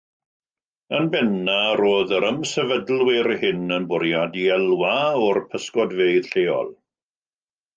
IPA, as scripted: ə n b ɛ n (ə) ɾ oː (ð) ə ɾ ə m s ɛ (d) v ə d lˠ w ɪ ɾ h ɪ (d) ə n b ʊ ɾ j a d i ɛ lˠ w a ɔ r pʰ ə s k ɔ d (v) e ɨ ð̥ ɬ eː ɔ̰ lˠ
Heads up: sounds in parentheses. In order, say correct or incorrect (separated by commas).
incorrect, correct, incorrect, incorrect, correct